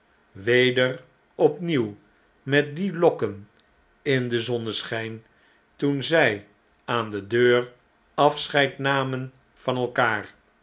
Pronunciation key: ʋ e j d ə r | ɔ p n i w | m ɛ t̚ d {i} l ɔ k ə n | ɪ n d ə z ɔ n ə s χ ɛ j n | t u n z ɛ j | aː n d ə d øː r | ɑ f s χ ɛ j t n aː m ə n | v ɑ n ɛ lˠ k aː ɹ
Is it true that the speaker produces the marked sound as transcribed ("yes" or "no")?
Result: yes